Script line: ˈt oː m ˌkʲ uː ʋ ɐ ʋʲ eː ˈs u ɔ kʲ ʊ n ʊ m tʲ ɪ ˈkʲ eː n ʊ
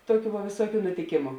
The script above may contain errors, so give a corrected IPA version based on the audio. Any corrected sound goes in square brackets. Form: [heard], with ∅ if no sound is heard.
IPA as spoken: ˈt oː [∅] ˌkʲ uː ʋ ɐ ʋʲ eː ˈs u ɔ kʲ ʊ n ʊ [∅] tʲ ɪ ˈkʲ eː [m] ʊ